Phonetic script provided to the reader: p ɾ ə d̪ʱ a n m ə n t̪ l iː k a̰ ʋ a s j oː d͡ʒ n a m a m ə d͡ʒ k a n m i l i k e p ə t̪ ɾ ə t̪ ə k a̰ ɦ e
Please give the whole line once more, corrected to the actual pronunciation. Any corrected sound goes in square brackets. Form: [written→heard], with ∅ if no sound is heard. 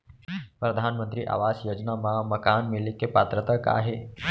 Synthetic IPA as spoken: p ɾ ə d̪ʱ a n m ə n t̪ [l→ɾ] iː [k→ʔ] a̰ ʋ a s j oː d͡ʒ n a m a m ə [d͡ʒ→∅] k a n m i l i k e p [ə→a] t̪ ɾ ə t̪ ə k a̰ ɦ e

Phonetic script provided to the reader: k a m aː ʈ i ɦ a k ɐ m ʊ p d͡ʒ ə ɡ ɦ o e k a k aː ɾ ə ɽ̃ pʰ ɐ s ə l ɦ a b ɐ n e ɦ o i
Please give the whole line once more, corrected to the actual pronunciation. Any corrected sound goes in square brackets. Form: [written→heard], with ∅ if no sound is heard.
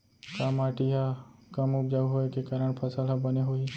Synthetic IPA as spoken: k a m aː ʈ i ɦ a k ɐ m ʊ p d͡ʒ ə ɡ ɦ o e k [a→e] k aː ɾ ə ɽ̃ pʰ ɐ s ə l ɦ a b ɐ n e ɦ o i

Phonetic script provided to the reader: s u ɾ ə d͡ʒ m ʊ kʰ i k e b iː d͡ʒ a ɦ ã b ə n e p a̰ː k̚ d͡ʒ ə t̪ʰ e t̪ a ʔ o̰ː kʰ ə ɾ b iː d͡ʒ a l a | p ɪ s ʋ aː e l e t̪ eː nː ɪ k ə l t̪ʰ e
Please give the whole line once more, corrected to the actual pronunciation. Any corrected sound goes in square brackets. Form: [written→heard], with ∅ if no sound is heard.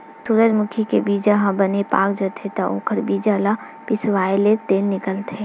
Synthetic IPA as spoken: s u ɾ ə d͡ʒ m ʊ kʰ i k e b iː d͡ʒ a ɦ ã b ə n e p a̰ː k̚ d͡ʒ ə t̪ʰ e t̪ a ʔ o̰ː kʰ ə ɾ b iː d͡ʒ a l a | p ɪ s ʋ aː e l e t̪ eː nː ɪ k ə l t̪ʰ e

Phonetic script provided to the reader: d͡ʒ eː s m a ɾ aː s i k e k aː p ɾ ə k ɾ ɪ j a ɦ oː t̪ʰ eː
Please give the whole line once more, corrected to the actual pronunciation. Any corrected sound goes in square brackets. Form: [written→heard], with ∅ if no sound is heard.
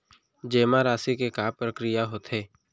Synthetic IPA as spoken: d͡ʒ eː [s→∅] m a ɾ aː s i k e k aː p ɾ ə k ɾ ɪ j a ɦ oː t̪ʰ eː

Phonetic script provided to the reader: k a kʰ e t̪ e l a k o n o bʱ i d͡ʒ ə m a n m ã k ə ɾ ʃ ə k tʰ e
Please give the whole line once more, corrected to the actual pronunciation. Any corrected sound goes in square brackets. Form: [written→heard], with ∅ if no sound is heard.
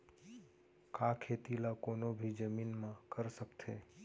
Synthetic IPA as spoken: k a kʰ e t̪ [e→i] l a k o n o bʱ i d͡ʒ ə m [a→i] n m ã k ə ɾ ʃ ə k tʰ e

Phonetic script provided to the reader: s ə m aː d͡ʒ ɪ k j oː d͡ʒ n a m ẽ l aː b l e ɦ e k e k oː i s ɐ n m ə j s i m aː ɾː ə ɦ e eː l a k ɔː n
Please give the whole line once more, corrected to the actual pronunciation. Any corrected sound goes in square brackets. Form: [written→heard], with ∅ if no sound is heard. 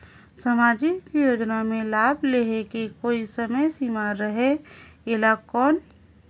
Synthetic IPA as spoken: s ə m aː d͡ʒ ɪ k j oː d͡ʒ n a m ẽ l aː b l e ɦ e k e k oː i s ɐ [n→∅] m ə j s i m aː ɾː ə ɦ e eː l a k ɔː n

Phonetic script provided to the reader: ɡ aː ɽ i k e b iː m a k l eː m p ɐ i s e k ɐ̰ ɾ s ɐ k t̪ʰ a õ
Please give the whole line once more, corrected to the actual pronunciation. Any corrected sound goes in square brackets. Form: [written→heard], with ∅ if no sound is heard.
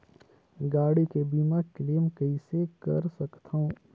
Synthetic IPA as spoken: ɡ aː ɽ i k e b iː m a k l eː m [p→k] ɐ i s e k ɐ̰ ɾ s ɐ k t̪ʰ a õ

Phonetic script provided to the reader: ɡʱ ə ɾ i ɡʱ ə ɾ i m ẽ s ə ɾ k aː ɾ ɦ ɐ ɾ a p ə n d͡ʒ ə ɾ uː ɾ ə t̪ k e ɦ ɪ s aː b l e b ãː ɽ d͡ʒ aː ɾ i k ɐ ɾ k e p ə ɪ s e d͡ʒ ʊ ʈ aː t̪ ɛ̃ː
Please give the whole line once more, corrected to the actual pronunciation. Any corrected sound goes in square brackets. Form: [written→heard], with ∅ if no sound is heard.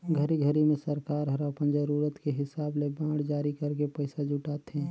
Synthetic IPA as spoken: ɡʱ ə ɾ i ɡʱ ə ɾ i m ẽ s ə ɾ k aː ɾ ɦ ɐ ɾ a p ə n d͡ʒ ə ɾ uː ɾ ə t̪ k e ɦ ɪ s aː b l e b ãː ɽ d͡ʒ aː ɾ i k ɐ ɾ k e p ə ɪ s [e→a] d͡ʒ ʊ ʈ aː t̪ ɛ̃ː

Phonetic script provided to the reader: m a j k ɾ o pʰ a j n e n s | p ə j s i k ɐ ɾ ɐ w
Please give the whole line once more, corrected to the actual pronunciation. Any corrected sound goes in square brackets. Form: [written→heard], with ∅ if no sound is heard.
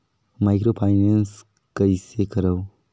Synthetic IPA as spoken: m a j k ɾ o pʰ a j n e n s | [p→k] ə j s [i→e] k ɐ ɾ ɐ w

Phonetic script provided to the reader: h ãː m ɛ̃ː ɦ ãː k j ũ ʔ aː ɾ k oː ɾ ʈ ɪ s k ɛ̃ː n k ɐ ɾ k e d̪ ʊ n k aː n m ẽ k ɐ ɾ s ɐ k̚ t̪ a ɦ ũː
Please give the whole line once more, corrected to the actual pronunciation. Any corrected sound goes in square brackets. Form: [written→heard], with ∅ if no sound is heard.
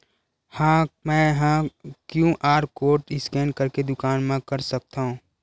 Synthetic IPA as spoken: h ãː m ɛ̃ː ɦ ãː k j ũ ʔ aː ɾ k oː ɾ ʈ ɪ s k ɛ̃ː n k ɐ ɾ k e d̪ ʊ [n→∅] k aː n m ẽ k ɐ ɾ s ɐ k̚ t̪ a ɦ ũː

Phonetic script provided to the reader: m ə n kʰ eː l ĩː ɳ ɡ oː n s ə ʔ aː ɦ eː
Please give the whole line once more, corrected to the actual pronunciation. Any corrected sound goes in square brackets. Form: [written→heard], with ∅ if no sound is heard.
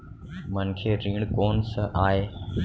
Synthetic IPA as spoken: m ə n kʰ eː [l→ɾ] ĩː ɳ [ɡ→k] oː n s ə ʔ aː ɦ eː

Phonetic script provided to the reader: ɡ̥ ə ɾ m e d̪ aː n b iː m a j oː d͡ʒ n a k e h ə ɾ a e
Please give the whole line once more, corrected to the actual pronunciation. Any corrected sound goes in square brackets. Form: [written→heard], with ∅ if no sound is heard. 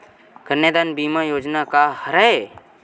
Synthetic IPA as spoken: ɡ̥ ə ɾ [m→n] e d̪ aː n b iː m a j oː d͡ʒ n a k [e→a] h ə ɾ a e

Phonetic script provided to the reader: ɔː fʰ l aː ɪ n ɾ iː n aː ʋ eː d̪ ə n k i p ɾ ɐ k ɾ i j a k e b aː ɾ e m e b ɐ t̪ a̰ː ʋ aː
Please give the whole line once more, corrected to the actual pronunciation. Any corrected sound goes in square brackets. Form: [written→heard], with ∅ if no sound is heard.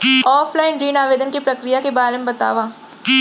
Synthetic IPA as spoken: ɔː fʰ l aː ɪ n ɾ iː n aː ʋ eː d̪ ə n k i p ɾ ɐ k ɾ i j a k e b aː ɾ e m e b ɐ t̪ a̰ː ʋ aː

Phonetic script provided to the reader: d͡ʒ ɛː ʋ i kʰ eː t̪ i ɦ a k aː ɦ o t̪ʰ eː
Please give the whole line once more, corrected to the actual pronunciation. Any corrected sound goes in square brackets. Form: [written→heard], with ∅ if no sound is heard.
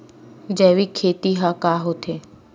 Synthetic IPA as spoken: d͡ʒ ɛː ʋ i kʰ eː t̪ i ɦ a k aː ɦ o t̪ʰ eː

